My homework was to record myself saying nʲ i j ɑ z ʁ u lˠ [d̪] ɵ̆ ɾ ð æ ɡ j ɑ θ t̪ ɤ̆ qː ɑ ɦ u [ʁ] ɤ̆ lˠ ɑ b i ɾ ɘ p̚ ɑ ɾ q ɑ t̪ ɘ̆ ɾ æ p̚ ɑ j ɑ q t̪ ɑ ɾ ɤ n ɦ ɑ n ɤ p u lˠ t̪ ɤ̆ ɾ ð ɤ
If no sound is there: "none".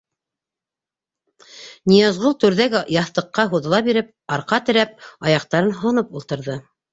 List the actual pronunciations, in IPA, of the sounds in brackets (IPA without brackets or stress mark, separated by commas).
t̪, ð